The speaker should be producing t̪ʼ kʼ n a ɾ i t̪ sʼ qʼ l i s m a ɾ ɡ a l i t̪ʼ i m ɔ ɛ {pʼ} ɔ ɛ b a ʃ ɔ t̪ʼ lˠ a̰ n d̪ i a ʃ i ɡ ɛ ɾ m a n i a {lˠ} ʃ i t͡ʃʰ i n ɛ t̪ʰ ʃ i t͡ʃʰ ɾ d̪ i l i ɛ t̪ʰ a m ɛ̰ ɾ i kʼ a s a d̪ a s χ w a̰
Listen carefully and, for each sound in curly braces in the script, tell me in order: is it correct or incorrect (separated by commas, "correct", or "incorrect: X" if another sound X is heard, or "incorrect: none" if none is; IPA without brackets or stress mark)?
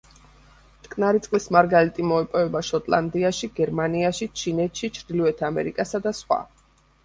correct, incorrect: none